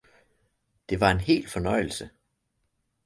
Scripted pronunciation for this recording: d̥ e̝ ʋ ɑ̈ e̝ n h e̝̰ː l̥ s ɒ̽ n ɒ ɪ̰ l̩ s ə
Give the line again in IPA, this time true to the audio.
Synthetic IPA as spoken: d̥ e̝ ʋ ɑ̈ e̝ n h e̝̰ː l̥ f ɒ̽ n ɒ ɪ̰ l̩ s ə